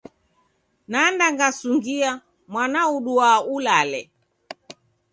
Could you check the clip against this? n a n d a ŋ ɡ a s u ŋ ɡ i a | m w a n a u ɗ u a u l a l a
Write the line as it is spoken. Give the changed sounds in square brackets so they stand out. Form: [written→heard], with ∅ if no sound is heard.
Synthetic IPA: n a n d a ŋ ɡ a s u ŋ ɡ i a | m w a n a u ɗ u a u l a l [a→ɛ]